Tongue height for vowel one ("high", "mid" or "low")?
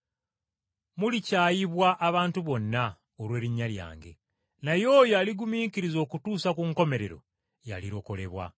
high